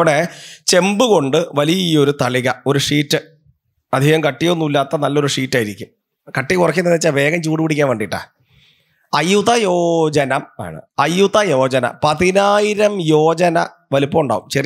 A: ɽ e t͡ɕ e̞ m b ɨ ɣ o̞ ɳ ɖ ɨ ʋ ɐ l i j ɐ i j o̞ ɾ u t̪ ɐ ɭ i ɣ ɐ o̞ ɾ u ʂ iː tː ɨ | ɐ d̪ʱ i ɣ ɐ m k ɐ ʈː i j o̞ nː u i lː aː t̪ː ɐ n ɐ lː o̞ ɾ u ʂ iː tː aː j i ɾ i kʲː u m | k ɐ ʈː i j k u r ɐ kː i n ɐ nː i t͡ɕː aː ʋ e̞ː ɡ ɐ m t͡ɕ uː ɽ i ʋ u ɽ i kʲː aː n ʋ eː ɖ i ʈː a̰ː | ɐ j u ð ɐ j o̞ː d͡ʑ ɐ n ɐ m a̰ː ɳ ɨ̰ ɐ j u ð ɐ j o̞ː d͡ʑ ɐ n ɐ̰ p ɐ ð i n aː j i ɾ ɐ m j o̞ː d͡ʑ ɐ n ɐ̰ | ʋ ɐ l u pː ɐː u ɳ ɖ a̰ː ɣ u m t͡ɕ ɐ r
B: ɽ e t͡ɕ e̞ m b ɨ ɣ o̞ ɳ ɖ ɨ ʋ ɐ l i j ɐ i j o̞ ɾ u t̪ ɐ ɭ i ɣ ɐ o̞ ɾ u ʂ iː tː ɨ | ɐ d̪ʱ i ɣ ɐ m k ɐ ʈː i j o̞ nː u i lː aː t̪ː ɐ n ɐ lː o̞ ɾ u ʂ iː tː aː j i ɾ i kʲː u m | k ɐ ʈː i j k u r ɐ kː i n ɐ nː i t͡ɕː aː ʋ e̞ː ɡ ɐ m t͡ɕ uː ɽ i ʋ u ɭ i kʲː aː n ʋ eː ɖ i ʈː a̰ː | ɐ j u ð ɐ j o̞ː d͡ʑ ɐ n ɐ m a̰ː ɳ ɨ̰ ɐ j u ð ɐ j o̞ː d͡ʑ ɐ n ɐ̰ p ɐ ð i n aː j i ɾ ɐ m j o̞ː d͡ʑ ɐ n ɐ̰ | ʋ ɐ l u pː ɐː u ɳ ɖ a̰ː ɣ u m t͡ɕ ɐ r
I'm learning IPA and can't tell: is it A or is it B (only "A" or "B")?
A